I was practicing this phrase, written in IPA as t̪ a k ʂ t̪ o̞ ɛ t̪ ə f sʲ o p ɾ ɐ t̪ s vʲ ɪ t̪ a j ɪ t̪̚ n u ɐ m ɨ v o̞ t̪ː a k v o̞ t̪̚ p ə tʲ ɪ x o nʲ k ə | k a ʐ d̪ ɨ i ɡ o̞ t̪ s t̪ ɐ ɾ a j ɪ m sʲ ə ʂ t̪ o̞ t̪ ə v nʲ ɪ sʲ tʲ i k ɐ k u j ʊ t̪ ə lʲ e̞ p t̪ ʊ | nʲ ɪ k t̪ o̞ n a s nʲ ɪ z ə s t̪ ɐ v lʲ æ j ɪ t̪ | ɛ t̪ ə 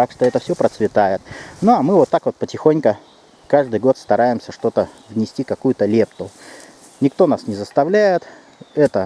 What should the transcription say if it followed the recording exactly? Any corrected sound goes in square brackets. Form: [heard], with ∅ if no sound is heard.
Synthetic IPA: t̪ a k ʂ t̪ o̞ ɛ t̪ ə f sʲ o p ɾ [ə] t̪ s vʲ ɪ t̪ a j ɪ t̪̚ n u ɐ m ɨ v o̞ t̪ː a k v o̞ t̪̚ p ə tʲ ɪ x o nʲ k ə | k a ʐ d̪ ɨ [j] ɡ o̞ t̪ s t̪ ɐ ɾ a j ɪ m sʲ ə ʂ t̪ o̞ t̪ ə v nʲ ɪ sʲ tʲ i k ɐ k u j ʊ t̪ ə lʲ e̞ p t̪ ʊ | nʲ ɪ k t̪ o̞ n a s nʲ ɪ z ə s t̪ ɐ v lʲ æ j ɪ t̪ | ɛ t̪ ə